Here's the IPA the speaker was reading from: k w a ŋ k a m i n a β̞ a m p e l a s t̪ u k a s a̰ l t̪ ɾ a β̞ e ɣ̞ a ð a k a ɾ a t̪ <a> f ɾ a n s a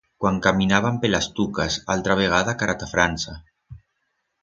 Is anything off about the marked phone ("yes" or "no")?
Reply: no